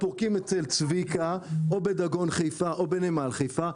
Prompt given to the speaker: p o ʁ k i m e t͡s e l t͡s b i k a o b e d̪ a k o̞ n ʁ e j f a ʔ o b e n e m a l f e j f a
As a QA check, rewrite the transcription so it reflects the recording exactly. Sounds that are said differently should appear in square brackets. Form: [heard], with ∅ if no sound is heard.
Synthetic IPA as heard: p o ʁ k i m e t͡s e l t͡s [v] i k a o b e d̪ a [ɡ] o̞ n [χ] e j f a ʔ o b e n e m a l [χ] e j f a